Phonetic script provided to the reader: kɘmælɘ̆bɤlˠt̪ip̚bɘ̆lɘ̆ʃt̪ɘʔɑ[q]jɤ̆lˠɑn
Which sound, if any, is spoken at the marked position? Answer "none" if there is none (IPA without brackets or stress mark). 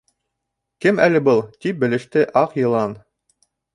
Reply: q